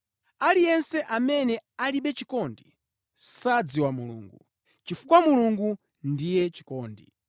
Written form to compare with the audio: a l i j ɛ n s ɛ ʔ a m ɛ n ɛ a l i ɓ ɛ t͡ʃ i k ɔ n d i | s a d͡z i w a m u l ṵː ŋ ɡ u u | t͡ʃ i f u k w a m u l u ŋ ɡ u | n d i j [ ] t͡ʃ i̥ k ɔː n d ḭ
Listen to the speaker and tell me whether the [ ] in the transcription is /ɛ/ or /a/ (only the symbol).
ɛ